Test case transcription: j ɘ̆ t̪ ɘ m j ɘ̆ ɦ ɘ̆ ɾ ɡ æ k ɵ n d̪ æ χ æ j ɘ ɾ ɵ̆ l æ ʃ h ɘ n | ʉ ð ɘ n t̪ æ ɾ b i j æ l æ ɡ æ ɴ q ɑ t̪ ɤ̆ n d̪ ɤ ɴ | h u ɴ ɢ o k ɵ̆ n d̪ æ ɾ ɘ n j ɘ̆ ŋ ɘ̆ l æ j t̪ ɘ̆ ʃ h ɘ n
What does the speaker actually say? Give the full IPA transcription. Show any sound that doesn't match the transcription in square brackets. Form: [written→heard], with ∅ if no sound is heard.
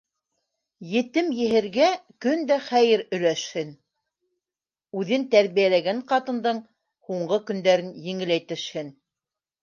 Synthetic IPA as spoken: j ɘ̆ t̪ ɘ m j ɘ̆ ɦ ɘ̆ ɾ ɡ æ k ɵ n d̪ æ χ æ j ɘ ɾ ɵ̆ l æ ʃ h ɘ n | ʉ ð ɘ n t̪ æ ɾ [b→β] i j æ l æ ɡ æ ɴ q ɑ t̪ ɤ̆ n d̪ ɤ ɴ | h u ɴ ɢ [o→ɤ] k ɵ̆ n d̪ æ ɾ ɘ n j ɘ̆ ŋ ɘ̆ l æ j t̪ ɘ̆ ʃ h ɘ n

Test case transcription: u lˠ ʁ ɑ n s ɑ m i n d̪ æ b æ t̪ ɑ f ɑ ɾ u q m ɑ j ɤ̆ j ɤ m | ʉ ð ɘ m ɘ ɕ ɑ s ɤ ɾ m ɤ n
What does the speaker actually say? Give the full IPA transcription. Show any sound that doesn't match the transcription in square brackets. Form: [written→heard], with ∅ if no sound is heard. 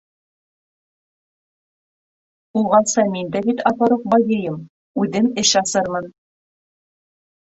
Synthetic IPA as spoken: u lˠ ʁ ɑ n s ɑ m i n d̪ æ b [æ→i] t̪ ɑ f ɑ ɾ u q [m→b] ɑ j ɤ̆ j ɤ m | ʉ ð ɘ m ɘ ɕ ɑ s ɤ ɾ m ɤ n

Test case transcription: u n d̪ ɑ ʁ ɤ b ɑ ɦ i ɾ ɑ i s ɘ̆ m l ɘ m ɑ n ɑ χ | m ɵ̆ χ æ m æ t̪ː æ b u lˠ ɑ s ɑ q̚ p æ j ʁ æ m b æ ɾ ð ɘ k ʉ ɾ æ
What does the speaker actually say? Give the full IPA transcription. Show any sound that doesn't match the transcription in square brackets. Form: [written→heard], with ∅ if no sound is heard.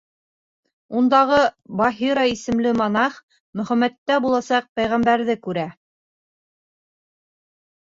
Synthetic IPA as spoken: u n d̪ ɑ ʁ ɤ b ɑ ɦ i ɾ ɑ i s ɘ̆ m l ɘ m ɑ n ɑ χ | m ɵ̆ χ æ m æ t̪ː æ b u lˠ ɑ s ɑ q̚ p æ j ʁ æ m b æ ɾ ð ɘ k ʉ ɾ æ

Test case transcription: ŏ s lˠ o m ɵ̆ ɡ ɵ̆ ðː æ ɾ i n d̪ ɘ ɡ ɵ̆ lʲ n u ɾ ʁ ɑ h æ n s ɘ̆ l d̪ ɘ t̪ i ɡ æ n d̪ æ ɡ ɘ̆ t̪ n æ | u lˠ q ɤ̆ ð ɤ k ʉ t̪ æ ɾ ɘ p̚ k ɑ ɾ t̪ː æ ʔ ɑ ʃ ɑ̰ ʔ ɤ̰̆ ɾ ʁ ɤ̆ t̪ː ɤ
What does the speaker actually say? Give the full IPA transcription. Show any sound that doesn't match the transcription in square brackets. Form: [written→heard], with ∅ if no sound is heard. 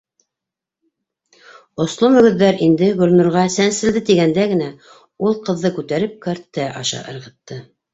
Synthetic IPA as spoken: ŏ s lˠ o m ɵ̆ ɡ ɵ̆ ðː æ ɾ i n d̪ ɘ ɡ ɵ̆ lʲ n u ɾ ʁ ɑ [h→s] æ n s ɘ̆ l d̪ ɘ t̪ i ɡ æ n d̪ æ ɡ ɘ̆ [t̪→∅] n æ | u lˠ q ɤ̆ [ð→ðː] ɤ k ʉ t̪ æ ɾ ɘ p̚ k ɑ ɾ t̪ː æ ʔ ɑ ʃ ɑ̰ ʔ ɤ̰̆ ɾ ʁ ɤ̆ t̪ː ɤ

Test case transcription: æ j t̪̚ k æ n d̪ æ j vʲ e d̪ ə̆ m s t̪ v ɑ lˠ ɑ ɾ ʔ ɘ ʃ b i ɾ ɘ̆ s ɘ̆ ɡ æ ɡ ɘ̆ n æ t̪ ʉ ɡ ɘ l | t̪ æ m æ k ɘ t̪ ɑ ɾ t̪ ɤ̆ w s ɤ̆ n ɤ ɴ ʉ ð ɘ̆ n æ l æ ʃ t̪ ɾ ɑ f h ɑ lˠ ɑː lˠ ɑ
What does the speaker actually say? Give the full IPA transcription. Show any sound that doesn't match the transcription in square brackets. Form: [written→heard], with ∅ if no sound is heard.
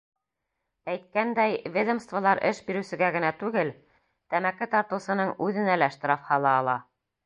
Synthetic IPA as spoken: æ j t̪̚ k æ n d̪ æ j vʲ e d̪ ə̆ m s t̪ v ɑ lˠ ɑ ɾ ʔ ɘ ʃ b i ɾ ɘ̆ s ɘ̆ ɡ æ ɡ ɘ̆ n æ t̪ ʉ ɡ ɘ l | t̪ æ m æ k ɘ t̪ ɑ ɾ t̪ ɤ̆ w s ɤ̆ n ɤ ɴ ʉ ð ɘ̆ n æ l æ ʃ t̪ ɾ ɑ f h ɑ lˠ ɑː lˠ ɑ

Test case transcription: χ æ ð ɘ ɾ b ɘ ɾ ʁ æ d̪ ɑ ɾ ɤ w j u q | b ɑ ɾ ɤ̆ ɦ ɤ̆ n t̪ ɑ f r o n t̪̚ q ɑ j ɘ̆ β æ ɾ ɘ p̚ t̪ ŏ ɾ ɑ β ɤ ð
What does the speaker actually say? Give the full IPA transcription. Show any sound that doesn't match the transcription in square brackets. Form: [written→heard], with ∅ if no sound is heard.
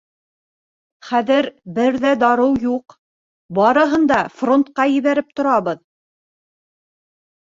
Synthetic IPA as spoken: χ æ ð ɘ ɾ b ɘ ɾ [ʁ→ð] æ d̪ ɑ ɾ ɤ w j u q | b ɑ ɾ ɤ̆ ɦ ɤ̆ n [t̪→d̪] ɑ f r o n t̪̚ q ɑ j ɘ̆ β æ ɾ ɘ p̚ t̪ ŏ ɾ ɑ β ɤ ð

